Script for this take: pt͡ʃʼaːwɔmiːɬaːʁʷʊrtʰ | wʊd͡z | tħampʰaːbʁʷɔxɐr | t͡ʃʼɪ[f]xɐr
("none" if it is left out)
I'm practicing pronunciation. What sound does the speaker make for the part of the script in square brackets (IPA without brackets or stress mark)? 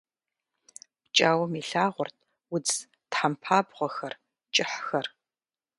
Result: ħ